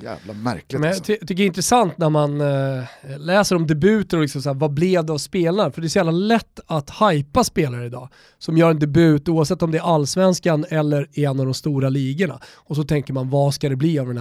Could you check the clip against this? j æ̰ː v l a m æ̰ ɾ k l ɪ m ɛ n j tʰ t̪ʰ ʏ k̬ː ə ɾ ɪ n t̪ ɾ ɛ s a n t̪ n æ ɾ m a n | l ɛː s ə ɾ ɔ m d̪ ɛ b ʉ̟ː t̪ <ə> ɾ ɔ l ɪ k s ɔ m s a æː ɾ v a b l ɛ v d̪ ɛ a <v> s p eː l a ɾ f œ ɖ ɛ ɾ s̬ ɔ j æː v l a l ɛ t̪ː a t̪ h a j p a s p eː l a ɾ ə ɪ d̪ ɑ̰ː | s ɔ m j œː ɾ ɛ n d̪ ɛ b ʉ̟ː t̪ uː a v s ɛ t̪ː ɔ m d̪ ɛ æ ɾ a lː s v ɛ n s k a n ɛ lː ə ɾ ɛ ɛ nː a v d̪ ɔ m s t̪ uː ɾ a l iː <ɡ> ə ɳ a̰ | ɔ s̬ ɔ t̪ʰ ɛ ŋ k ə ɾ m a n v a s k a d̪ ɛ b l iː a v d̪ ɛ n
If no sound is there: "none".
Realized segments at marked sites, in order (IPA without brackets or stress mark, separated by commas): ə, v, ɡ